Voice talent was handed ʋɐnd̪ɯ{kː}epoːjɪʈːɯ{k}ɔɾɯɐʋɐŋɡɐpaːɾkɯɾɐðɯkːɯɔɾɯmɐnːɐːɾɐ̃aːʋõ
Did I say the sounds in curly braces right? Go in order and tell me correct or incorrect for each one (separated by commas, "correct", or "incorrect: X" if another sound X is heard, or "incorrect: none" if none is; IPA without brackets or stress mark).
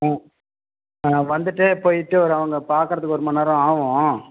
incorrect: ʈː, incorrect: none